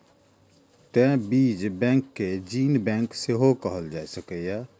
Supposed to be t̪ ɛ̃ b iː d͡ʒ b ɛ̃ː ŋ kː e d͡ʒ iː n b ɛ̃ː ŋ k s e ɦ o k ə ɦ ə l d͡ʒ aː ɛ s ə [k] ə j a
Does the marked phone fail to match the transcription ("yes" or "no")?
no